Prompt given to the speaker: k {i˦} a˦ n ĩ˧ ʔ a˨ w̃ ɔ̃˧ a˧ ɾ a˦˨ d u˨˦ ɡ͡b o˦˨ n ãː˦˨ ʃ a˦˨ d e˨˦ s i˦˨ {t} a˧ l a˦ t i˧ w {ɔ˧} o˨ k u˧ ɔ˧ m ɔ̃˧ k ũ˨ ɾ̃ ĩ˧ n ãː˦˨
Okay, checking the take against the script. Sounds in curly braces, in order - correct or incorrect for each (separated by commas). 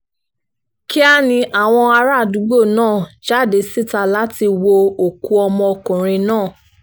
correct, correct, incorrect